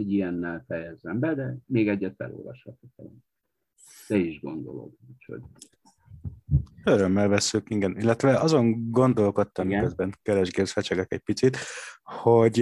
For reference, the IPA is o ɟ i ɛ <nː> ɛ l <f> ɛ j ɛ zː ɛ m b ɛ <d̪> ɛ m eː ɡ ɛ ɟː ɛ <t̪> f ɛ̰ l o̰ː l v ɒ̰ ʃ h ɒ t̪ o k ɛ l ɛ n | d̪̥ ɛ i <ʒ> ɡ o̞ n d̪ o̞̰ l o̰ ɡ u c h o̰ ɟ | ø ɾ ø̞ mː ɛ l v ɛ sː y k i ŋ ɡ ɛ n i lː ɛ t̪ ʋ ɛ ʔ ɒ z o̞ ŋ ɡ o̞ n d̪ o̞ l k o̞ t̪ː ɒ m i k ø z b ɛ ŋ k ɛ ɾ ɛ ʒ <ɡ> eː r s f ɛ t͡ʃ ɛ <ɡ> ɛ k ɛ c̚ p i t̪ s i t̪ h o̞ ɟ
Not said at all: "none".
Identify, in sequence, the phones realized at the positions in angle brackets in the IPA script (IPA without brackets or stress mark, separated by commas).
nː, f, d̪, t̪, ʒ, ɡ, ɡ